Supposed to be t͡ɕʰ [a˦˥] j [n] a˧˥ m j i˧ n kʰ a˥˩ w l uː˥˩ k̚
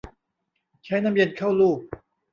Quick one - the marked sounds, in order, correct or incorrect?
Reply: correct, correct

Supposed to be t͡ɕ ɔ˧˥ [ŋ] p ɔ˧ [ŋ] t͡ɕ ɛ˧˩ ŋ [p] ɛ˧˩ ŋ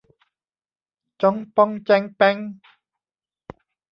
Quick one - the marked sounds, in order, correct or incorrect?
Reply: correct, correct, correct

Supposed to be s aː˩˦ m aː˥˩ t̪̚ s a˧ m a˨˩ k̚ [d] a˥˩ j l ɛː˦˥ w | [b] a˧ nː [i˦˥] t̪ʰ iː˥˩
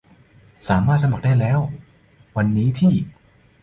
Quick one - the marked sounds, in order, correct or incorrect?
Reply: correct, incorrect, incorrect

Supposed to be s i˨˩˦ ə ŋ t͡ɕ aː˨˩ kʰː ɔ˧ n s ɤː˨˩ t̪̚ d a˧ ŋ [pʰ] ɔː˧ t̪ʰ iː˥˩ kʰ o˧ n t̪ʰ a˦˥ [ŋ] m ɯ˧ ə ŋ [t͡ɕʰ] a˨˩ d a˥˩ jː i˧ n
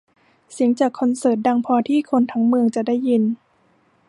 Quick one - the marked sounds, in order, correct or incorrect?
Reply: correct, correct, incorrect

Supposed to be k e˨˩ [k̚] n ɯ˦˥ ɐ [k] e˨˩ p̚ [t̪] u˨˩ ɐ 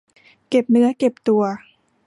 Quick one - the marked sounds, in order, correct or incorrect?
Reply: incorrect, correct, correct

